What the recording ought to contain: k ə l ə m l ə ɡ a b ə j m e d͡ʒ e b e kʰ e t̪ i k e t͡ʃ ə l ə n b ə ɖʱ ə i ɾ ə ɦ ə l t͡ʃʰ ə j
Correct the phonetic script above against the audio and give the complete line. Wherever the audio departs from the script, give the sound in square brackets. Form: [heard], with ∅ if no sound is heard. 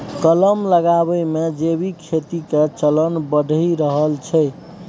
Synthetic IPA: k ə l ə m l ə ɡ a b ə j m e d͡ʒ e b [i] kʰ e t̪ i k e t͡ʃ ə l ə n b ə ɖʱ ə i ɾ ə ɦ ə l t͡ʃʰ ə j